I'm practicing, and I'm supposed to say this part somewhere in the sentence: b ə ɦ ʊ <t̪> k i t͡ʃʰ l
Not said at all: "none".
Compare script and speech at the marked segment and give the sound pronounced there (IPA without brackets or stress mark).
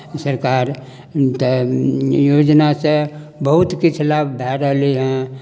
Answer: t̪